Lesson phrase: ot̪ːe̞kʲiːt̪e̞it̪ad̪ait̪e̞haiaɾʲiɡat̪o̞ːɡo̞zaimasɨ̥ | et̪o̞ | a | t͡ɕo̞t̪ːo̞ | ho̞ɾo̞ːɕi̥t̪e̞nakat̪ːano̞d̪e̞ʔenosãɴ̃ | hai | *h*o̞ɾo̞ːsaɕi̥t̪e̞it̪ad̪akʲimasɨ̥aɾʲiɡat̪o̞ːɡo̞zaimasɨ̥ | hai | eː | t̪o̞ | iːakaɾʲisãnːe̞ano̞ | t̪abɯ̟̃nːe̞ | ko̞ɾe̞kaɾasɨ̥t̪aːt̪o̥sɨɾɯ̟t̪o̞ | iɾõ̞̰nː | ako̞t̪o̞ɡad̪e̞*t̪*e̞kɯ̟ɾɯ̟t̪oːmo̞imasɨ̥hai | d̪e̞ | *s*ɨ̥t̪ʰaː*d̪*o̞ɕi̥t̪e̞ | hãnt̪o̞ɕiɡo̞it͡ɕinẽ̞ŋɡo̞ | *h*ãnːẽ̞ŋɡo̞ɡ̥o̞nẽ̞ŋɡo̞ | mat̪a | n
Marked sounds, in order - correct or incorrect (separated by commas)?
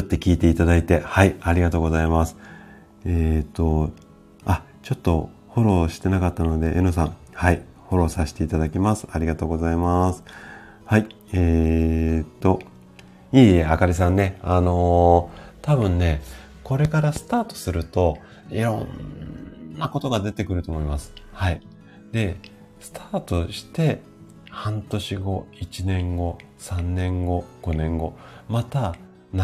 correct, correct, correct, incorrect, incorrect